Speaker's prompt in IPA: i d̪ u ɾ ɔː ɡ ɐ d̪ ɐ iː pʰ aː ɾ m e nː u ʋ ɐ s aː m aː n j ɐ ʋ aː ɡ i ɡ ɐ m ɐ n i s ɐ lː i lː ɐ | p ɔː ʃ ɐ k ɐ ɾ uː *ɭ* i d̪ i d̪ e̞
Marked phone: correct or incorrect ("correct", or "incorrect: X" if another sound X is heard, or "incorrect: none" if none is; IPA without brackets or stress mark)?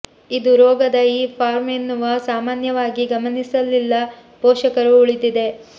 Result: correct